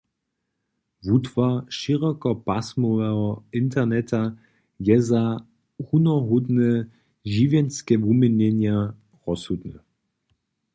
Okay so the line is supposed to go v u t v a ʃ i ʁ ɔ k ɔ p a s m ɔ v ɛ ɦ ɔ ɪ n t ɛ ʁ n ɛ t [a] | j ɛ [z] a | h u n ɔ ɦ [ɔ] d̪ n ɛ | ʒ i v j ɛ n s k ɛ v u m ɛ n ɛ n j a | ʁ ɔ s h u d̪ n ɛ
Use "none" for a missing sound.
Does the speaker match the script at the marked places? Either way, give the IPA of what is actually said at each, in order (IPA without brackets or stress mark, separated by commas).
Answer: a, z, u